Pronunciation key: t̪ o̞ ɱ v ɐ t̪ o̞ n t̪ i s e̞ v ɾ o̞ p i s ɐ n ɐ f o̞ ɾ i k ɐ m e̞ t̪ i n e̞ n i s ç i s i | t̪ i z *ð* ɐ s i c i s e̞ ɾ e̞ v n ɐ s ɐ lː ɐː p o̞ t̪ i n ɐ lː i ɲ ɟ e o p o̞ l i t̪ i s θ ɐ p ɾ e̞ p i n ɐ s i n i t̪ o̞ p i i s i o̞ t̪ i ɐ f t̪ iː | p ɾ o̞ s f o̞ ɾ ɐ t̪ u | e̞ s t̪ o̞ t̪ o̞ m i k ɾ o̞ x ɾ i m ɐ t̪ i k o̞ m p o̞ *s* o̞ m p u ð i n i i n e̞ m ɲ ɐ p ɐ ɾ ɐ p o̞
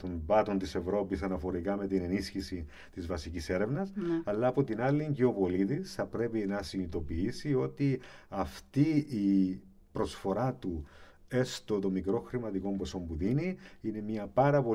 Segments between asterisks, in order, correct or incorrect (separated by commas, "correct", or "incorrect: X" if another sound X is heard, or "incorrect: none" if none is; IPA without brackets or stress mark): incorrect: v, correct